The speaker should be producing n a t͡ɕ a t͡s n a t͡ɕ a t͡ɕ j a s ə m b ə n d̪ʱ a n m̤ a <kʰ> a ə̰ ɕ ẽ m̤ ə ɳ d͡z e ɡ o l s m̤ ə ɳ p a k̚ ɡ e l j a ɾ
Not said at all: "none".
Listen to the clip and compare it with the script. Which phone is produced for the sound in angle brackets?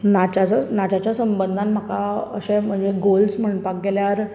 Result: k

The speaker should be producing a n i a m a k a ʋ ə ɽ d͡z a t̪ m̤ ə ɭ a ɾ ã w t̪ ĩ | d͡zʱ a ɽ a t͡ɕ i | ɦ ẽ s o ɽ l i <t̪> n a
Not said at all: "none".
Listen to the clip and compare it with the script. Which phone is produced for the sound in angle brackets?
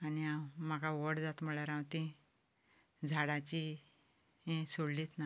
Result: t̪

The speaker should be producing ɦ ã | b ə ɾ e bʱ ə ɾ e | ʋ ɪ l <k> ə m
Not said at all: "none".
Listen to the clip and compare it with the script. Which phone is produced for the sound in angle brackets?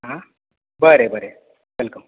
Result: k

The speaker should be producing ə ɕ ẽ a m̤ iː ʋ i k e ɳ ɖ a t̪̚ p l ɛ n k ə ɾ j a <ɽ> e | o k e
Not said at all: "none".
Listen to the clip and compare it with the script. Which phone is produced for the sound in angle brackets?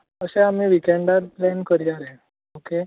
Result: ɾ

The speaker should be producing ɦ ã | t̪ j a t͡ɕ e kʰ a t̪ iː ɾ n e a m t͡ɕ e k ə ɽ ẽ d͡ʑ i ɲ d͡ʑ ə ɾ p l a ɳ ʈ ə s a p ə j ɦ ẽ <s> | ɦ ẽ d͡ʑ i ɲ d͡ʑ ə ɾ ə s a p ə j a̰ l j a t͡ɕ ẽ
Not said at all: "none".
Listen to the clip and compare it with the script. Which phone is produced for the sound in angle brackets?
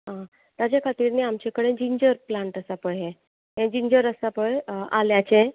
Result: none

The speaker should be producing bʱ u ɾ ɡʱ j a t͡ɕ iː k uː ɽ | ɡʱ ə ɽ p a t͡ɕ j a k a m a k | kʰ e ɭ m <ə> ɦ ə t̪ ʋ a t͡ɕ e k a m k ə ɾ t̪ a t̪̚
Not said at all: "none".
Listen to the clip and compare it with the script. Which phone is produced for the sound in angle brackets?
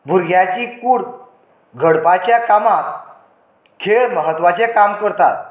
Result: ə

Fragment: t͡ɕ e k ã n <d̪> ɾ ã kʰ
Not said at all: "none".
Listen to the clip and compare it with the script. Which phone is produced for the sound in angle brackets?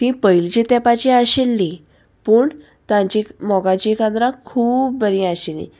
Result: d̪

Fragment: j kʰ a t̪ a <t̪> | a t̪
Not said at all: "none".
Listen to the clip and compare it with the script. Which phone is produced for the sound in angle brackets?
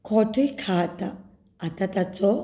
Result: none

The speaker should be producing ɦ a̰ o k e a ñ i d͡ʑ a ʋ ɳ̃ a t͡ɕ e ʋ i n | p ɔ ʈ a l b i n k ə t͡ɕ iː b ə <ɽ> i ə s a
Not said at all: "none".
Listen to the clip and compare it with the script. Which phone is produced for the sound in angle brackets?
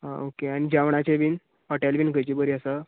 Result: ɾ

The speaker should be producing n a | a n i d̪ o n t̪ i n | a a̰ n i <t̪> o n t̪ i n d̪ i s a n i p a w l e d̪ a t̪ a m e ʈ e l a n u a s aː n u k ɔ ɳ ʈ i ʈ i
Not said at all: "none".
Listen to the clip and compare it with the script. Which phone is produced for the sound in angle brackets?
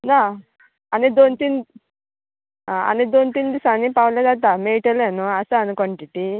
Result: d̪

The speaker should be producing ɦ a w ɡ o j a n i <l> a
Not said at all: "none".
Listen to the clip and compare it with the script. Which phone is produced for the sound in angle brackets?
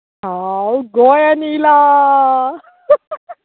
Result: l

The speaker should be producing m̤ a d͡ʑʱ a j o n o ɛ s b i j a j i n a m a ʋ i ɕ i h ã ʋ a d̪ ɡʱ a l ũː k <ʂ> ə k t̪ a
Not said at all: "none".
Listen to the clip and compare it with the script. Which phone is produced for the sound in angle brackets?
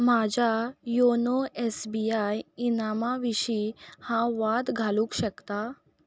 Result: ɕ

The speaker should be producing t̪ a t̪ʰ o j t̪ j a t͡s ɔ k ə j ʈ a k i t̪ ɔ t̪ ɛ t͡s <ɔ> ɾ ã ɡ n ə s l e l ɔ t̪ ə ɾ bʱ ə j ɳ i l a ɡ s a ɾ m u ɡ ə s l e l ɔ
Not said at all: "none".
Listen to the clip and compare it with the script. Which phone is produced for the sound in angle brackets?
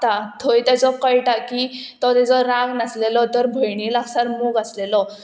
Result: ɔ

